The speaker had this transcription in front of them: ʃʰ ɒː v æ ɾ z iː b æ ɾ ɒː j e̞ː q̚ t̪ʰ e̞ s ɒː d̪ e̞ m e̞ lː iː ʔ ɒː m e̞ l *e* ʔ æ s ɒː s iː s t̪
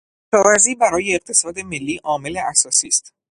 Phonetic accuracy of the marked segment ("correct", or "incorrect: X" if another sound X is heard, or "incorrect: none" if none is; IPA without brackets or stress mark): correct